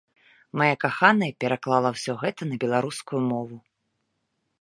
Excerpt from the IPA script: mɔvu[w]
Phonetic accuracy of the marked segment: incorrect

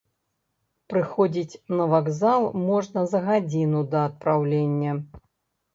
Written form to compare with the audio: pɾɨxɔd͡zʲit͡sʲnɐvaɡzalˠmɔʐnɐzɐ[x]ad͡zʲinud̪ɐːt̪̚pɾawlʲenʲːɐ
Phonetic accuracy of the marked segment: incorrect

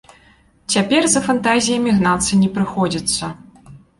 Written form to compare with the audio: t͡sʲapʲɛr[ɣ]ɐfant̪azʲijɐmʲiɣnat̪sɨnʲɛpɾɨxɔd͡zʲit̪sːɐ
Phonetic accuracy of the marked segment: incorrect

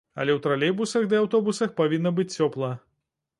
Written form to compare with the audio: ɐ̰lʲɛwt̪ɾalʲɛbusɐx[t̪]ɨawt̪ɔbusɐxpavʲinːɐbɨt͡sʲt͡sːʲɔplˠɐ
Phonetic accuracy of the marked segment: incorrect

